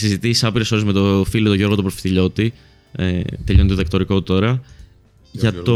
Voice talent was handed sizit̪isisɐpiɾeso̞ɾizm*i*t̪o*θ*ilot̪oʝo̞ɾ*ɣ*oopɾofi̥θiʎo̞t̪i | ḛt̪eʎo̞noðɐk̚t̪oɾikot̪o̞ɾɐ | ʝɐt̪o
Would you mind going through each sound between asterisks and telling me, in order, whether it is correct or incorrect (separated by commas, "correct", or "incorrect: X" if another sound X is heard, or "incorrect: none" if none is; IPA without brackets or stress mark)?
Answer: incorrect: e, incorrect: f, correct